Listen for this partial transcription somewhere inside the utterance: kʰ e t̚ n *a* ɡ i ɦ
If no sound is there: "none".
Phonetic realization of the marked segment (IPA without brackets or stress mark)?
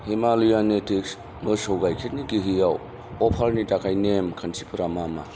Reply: i